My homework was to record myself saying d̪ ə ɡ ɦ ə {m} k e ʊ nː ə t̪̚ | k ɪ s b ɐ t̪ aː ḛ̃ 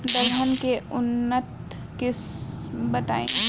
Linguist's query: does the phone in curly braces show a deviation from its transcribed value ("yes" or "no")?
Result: yes